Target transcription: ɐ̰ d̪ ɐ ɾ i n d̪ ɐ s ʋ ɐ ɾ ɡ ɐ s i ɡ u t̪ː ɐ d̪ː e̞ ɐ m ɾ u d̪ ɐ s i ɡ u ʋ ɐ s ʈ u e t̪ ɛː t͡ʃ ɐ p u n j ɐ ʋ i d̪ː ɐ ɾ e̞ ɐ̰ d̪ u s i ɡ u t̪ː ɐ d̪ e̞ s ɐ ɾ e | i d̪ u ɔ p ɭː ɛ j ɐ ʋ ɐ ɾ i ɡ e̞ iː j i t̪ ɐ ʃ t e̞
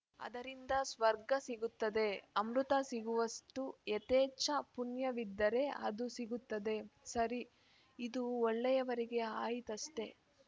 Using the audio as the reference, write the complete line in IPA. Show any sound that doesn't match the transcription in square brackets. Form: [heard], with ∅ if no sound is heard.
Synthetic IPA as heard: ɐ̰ d̪ ɐ ɾ i n d̪ ɐ s ʋ ɐ ɾ ɡ ɐ s i ɡ u t̪ː ɐ [d̪] e̞ ɐ m ɾ u [t̪] ɐ s i ɡ u ʋ ɐ s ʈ u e t̪ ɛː t͡ʃ ɐ p u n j ɐ ʋ i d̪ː ɐ ɾ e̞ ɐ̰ d̪ u s i ɡ u t̪ː ɐ d̪ e̞ s ɐ ɾ [i] | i d̪ u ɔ [∅] ɭː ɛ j ɐ ʋ ɐ ɾ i ɡ e̞ [aː] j i t̪ ɐ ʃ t e̞